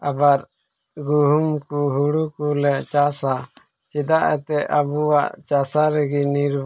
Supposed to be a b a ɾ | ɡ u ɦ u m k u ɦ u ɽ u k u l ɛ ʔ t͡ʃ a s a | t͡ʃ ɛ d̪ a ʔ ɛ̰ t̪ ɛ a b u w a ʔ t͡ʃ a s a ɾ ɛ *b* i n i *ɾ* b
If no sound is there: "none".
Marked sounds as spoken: ɡ, ɾ

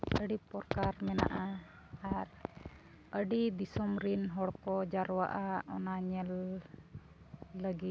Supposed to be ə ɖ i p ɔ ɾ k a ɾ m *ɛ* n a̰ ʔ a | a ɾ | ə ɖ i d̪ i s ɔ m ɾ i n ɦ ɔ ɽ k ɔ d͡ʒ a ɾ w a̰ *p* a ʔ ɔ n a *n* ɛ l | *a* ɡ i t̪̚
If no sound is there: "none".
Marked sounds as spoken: ɛ, ʔ, ɲ, ə

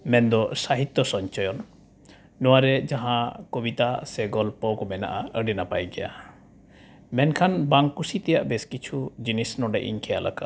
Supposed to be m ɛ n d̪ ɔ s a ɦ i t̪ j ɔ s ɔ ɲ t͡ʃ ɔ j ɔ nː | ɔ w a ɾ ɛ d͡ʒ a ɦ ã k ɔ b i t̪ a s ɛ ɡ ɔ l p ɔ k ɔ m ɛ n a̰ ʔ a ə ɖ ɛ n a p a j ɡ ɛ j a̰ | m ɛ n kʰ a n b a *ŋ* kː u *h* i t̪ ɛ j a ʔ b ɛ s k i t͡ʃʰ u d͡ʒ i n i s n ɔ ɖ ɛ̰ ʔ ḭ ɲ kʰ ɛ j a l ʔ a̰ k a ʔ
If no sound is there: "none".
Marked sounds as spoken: ŋ, s

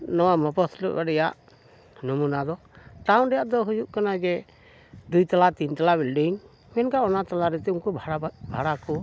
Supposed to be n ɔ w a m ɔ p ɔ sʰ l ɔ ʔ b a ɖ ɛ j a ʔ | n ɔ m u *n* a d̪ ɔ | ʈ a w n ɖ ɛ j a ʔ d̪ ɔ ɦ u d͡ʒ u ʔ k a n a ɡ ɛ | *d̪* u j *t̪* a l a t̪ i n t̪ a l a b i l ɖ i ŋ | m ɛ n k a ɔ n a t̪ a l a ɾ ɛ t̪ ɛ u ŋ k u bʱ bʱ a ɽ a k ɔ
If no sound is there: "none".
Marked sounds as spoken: n, d̪, t̪

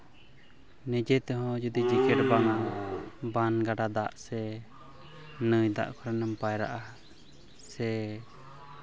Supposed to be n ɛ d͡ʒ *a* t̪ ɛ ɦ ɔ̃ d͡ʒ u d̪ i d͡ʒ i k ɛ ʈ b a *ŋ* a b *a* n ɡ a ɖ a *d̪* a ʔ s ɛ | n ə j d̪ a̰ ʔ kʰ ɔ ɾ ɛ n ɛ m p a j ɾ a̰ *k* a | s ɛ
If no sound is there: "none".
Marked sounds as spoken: ɛ, ŋ, a, d̪, ʔ

